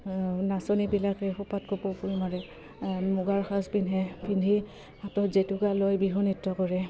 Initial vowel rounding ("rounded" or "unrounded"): unrounded